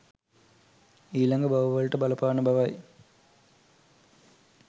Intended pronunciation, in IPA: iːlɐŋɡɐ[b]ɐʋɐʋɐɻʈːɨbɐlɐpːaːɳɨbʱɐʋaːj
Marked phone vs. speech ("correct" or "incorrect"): correct